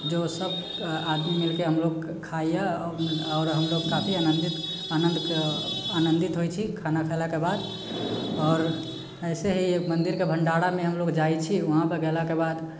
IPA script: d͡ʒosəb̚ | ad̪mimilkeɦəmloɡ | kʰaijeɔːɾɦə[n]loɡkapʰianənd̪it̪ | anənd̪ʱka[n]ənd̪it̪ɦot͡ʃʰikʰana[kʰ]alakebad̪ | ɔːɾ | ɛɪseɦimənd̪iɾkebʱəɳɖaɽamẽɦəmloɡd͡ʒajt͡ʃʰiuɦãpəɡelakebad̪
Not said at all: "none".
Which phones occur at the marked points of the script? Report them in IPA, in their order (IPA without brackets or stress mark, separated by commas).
m, n, kʰ